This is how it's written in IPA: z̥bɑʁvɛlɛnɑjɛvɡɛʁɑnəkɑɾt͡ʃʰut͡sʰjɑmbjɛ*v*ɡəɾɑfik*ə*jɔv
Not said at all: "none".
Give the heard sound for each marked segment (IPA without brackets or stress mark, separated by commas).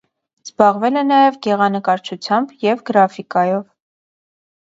v, ɑ